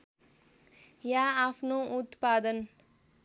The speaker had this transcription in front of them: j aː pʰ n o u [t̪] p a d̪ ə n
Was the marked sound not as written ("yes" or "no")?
no